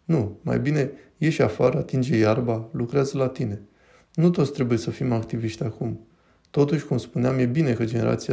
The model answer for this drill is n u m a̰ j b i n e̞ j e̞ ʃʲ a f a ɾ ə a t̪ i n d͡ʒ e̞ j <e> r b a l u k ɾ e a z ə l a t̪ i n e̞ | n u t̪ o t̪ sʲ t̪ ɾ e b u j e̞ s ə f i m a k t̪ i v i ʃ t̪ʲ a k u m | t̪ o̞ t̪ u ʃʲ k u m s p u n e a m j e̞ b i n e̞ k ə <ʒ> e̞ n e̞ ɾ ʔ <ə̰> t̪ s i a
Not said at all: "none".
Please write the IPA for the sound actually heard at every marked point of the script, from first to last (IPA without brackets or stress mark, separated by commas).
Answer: a, d͡ʒ, a̰